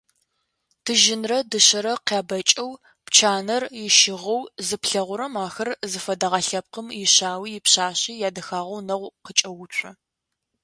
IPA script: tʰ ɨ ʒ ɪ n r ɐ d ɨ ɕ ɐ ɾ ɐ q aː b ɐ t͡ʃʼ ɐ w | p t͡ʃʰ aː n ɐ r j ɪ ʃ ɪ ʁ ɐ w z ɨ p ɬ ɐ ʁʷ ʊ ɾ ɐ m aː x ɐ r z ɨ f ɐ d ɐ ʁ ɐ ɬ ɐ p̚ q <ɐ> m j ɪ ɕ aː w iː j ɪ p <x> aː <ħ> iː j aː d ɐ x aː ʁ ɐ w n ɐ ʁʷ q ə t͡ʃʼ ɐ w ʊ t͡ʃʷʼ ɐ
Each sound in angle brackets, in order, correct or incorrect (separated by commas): incorrect, incorrect, incorrect